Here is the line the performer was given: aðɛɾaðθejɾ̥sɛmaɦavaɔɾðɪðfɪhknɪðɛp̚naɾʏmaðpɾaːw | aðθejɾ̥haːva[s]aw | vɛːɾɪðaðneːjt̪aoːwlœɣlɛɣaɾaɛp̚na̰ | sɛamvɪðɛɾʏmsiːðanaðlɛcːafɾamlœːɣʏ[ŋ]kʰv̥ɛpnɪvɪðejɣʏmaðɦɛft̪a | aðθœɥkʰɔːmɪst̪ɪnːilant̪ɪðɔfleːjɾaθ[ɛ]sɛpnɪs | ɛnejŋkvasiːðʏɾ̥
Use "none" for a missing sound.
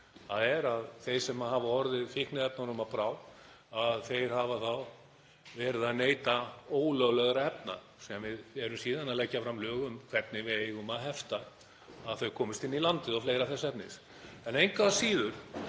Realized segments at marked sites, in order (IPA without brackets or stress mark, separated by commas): θ, m, ɛ